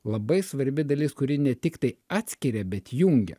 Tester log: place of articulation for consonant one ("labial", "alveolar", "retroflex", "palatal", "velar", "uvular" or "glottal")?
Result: alveolar